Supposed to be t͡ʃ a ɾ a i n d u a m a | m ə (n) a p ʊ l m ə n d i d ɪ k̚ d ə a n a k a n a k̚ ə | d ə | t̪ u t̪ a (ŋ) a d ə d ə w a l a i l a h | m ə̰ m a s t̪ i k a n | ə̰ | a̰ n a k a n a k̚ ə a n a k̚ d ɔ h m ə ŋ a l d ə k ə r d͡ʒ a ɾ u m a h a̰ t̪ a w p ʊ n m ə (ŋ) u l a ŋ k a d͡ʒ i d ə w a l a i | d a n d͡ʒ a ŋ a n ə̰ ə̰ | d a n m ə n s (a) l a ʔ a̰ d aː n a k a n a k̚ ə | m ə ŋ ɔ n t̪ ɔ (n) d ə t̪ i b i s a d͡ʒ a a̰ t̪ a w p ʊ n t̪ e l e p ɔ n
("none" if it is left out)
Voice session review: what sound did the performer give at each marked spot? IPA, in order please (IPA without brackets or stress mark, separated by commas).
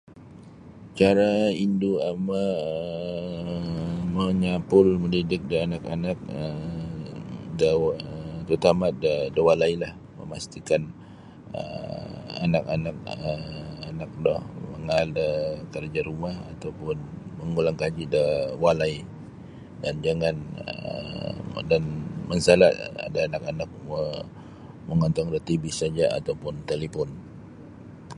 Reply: ɲ, m, ŋ, a, ŋ